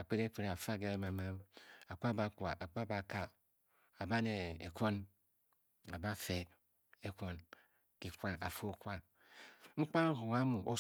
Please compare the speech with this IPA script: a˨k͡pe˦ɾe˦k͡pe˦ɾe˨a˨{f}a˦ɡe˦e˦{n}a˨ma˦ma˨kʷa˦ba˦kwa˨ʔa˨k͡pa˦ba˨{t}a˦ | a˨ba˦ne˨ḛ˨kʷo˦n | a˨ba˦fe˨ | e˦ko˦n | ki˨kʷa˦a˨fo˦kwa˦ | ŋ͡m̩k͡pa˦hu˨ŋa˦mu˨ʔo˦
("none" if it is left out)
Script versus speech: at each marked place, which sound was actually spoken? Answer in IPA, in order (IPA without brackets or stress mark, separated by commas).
f, m, k